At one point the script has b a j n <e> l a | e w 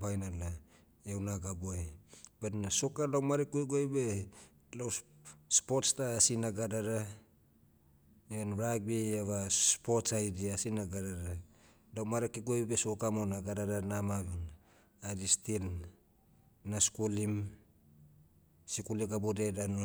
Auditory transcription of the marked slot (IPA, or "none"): a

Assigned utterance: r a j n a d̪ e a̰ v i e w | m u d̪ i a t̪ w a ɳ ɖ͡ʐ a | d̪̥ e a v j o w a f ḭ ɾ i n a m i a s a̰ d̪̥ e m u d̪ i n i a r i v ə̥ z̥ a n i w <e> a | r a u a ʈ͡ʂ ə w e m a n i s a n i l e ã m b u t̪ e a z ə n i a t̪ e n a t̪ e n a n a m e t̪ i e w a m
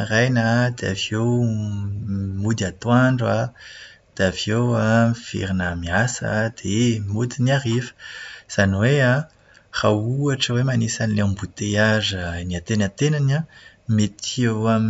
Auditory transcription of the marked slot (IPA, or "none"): e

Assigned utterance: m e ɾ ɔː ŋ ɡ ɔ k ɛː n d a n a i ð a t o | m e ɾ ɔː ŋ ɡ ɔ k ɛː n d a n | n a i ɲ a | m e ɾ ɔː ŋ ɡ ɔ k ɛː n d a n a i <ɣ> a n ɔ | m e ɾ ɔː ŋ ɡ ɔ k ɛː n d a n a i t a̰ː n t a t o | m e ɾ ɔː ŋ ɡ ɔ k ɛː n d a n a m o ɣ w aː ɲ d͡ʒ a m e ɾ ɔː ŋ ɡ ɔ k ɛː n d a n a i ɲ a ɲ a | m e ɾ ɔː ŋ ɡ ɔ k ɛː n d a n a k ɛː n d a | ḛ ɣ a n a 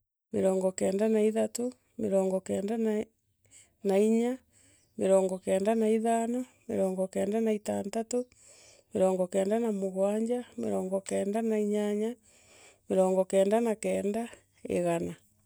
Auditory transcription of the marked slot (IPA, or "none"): ð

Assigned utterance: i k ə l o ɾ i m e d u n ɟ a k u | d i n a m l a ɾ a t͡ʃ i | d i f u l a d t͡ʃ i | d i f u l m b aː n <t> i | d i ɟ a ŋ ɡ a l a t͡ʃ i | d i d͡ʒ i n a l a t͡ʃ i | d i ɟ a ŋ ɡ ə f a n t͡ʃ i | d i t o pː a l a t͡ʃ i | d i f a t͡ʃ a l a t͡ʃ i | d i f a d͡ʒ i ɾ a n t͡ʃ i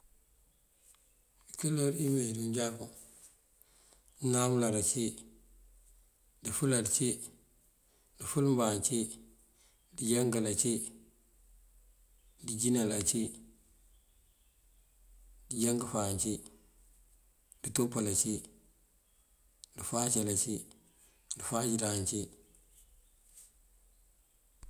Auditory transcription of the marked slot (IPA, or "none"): t͡ʃ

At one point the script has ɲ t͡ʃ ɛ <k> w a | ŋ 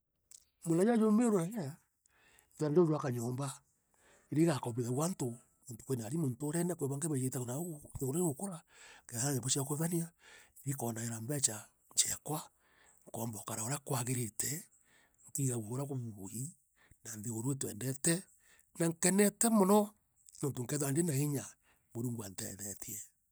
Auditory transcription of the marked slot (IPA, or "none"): k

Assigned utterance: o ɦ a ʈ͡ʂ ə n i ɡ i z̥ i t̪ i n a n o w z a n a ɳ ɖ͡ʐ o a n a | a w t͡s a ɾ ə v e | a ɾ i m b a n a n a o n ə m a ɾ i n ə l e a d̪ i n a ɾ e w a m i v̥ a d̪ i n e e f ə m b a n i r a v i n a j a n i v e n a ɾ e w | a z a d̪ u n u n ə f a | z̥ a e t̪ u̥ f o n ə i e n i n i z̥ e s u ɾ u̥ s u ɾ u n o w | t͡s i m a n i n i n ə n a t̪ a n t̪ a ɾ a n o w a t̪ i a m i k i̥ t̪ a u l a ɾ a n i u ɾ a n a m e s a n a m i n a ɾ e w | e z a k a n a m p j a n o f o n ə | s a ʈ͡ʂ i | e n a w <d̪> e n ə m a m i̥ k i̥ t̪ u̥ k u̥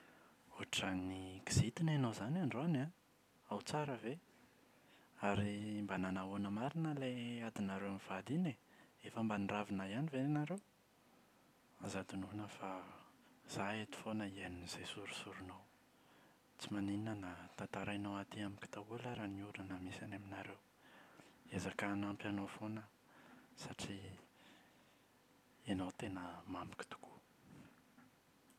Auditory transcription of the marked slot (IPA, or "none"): t̪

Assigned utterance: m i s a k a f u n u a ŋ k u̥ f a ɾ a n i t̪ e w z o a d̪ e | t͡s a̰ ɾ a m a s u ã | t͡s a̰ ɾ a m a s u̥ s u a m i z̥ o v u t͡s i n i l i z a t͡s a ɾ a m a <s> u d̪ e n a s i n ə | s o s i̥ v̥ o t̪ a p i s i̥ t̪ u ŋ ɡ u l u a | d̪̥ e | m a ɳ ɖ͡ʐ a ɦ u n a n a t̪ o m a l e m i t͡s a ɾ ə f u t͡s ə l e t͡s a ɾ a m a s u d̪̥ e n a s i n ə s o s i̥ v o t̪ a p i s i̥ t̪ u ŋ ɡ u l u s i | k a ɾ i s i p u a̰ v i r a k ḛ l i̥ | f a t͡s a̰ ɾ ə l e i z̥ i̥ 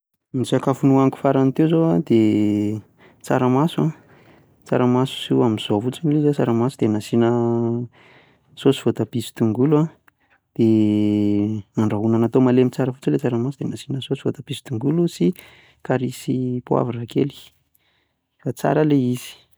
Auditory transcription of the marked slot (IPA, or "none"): s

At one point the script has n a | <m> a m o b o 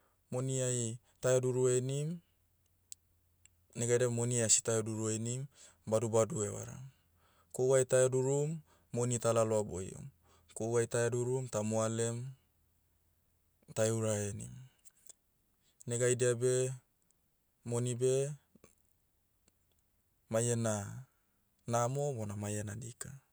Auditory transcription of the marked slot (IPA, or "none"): n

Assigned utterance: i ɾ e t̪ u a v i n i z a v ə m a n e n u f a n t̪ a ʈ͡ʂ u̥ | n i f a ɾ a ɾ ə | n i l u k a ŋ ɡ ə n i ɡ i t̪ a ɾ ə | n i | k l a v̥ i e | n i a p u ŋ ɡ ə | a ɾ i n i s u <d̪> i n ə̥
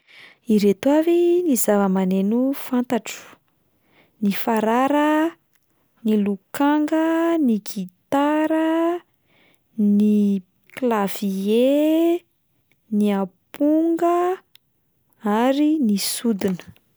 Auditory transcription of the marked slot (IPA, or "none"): d̪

